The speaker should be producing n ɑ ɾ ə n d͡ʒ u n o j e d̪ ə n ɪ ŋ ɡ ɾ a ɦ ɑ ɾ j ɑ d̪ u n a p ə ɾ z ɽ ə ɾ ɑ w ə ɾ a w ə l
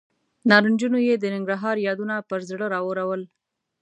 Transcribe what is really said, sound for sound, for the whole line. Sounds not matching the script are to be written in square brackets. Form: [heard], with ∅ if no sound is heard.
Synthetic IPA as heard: n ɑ ɾ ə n d͡ʒ u n o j e d̪ ə n ɪ ŋ ɡ ɾ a ɦ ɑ ɾ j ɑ d̪ u n a p ə ɾ z ɽ ə ɾ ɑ w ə ɾ a w ə l